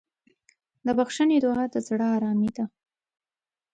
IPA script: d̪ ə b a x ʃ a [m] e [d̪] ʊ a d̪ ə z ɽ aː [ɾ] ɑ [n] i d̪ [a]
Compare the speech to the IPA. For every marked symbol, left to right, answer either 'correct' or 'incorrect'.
incorrect, correct, correct, incorrect, correct

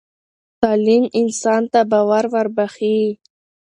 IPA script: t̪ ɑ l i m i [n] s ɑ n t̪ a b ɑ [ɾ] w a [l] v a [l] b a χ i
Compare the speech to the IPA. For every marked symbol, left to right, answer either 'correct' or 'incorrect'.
correct, incorrect, incorrect, incorrect

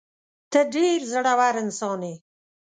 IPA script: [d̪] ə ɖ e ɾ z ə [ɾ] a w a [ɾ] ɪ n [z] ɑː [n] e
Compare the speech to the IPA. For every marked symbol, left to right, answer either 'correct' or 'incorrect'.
incorrect, incorrect, correct, incorrect, correct

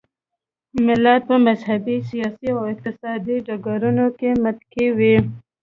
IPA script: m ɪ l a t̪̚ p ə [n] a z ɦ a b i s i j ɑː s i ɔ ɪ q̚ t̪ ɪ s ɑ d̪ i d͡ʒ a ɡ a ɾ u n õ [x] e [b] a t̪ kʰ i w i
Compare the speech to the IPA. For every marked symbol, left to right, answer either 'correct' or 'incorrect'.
incorrect, incorrect, incorrect

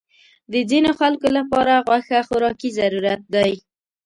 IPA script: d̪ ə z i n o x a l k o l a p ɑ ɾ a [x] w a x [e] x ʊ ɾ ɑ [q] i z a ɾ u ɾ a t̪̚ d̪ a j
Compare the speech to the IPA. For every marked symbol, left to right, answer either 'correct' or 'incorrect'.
incorrect, incorrect, incorrect

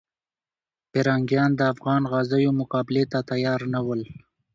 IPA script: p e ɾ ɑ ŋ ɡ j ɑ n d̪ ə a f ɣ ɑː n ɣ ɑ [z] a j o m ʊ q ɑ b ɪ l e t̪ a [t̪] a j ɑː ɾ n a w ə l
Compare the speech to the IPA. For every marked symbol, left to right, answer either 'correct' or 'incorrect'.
correct, correct

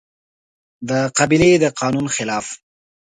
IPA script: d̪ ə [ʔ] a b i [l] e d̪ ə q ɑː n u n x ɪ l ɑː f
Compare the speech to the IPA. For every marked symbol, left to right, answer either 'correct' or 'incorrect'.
incorrect, correct

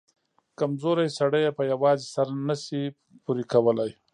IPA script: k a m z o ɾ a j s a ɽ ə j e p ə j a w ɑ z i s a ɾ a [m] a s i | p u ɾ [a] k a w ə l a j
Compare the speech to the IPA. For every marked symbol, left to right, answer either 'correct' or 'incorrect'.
incorrect, incorrect

